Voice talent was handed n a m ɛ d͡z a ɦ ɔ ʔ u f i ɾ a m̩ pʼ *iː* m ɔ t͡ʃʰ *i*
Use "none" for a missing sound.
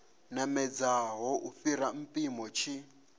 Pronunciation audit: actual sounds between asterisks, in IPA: i, i

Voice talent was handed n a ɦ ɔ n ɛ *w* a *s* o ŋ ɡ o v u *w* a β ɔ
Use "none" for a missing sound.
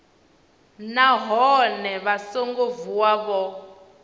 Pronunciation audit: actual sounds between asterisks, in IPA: β, s, w

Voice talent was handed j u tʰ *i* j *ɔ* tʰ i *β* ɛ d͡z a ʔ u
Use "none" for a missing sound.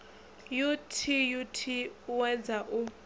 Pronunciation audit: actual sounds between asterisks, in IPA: i, u, w

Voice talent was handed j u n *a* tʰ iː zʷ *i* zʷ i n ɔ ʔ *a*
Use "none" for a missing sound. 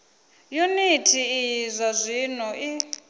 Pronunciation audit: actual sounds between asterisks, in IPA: i, a, i

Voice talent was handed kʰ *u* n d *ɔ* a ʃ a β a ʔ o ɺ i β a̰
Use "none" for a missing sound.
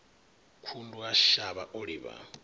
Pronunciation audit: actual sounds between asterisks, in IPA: u, u

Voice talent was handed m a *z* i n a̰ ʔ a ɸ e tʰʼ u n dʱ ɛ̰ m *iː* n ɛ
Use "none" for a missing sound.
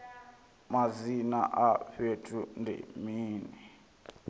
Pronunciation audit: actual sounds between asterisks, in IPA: z, iː

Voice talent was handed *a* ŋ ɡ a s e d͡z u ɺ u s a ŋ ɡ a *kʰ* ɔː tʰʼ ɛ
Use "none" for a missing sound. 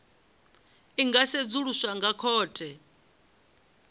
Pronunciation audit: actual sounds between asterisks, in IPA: i, kʰ

